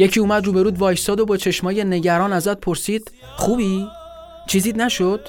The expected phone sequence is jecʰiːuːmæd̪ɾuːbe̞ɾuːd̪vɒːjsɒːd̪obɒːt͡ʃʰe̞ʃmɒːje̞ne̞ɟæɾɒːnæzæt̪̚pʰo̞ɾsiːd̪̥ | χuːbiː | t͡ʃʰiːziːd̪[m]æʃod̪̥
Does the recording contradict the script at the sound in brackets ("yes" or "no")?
yes